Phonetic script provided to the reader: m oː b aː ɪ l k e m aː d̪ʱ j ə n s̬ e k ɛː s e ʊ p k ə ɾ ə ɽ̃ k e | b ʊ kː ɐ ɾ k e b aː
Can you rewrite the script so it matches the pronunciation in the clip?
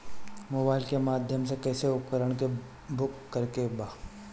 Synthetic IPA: m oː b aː ɪ l k e m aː d̪ʱ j ə m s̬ e k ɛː s e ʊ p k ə ɾ ə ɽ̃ k e | b ʊ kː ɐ ɾ k e b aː